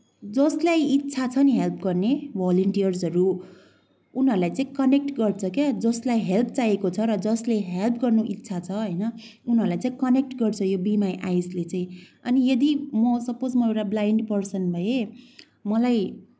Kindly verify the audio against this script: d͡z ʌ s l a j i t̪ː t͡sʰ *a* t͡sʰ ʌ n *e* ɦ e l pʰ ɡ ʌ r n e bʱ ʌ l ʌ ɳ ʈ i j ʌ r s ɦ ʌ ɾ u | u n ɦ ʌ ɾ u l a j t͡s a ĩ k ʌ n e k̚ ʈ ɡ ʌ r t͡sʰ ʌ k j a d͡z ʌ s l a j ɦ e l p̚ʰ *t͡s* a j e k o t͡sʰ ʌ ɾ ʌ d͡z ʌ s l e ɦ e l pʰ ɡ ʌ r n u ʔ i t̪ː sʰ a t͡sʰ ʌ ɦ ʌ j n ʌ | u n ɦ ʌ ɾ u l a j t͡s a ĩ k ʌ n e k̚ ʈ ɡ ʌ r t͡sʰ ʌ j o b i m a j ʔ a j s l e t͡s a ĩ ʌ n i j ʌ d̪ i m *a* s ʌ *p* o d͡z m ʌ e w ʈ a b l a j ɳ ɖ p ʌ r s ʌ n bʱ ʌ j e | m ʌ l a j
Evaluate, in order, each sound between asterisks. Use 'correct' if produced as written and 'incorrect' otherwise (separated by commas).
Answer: correct, incorrect, correct, incorrect, correct